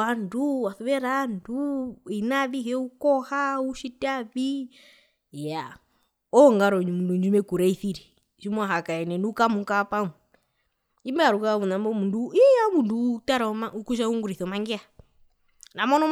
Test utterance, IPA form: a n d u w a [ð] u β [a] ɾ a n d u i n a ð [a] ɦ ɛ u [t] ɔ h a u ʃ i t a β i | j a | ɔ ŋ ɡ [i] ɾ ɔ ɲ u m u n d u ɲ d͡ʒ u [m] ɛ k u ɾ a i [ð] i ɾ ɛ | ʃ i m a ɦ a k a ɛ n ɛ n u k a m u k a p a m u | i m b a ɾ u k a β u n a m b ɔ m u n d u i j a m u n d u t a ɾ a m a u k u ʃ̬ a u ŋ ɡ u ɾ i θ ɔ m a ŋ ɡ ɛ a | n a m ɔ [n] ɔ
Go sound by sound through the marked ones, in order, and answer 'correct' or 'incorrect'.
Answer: incorrect: θ, incorrect: ɛ, incorrect: i, incorrect: k, incorrect: a, correct, incorrect: θ, correct

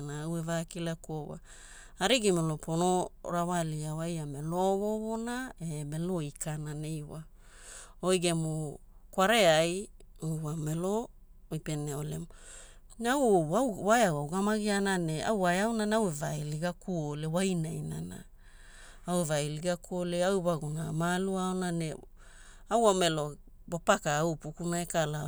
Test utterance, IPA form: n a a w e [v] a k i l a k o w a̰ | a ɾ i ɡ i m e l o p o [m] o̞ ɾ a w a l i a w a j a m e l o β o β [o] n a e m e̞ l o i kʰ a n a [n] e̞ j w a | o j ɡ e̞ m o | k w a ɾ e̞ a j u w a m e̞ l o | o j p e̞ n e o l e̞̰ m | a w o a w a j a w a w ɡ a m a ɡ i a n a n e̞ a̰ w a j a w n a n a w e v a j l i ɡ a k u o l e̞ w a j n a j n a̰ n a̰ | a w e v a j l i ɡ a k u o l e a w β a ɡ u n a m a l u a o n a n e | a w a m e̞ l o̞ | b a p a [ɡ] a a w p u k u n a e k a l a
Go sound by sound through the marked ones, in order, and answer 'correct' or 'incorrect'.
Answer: correct, incorrect: n, correct, correct, incorrect: k

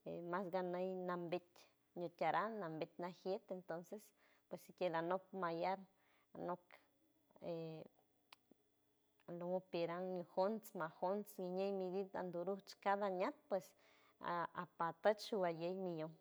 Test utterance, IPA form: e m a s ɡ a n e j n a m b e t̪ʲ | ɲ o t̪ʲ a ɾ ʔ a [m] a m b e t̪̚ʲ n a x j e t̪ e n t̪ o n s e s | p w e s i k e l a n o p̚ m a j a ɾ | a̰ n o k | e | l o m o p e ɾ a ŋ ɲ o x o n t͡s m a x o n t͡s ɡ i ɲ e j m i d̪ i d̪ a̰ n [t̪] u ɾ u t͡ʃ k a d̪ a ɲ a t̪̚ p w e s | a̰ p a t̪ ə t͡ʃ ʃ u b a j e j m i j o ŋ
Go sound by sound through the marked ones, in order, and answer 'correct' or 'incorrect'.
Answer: incorrect: n, incorrect: d̪

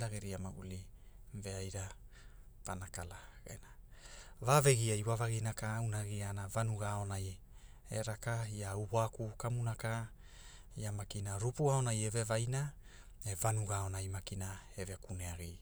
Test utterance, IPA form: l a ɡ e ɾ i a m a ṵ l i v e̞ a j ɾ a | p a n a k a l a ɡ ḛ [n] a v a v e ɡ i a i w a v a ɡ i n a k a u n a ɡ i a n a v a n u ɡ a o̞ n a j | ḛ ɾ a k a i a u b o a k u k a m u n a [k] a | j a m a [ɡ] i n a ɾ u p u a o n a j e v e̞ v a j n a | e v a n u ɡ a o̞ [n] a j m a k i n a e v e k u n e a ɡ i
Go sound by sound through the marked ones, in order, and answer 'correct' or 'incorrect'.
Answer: correct, correct, incorrect: k, correct

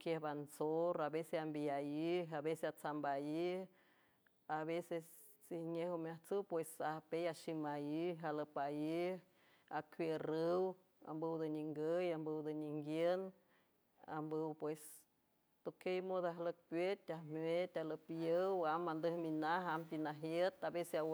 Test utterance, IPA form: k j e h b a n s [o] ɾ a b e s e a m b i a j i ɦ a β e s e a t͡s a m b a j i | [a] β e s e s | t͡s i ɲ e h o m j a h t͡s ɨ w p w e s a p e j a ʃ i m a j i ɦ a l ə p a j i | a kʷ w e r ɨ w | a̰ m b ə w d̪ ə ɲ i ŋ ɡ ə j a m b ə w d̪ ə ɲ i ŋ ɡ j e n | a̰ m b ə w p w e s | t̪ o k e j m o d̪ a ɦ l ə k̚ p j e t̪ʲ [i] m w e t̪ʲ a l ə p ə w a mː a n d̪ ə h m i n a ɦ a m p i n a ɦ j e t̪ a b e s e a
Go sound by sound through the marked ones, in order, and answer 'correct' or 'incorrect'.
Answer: correct, correct, incorrect: a

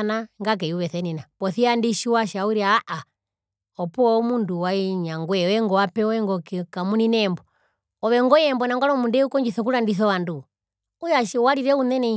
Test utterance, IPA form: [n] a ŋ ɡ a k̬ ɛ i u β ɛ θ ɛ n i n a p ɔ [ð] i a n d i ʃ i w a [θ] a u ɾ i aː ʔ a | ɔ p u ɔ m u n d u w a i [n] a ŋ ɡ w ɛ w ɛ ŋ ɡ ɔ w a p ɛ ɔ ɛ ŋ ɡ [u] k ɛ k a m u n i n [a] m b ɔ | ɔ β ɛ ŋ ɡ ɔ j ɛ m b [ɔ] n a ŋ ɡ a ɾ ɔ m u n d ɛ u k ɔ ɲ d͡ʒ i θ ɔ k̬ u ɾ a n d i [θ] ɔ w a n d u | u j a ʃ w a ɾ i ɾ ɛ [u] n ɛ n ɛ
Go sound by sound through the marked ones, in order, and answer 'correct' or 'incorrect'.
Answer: correct, incorrect: θ, incorrect: ʃ, incorrect: ɲ, incorrect: ɔ, incorrect: ɛ, correct, correct, correct

